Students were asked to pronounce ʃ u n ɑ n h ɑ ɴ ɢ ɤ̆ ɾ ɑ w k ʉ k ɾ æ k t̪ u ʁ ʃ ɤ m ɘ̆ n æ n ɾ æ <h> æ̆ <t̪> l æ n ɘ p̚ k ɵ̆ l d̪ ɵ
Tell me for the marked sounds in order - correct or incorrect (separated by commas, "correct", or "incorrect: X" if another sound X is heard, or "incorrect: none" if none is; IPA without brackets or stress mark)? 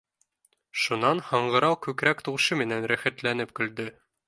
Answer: incorrect: χ, correct